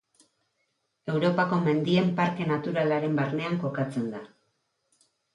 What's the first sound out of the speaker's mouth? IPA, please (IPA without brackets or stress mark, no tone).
e̞